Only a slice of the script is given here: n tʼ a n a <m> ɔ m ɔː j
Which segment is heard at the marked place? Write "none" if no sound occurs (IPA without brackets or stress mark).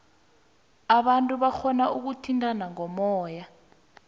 ŋ